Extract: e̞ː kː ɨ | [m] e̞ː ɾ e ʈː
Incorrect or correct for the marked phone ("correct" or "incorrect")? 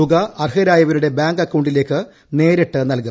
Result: incorrect